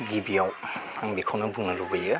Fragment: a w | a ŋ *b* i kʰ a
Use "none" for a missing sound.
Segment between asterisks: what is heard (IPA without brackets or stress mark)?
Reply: b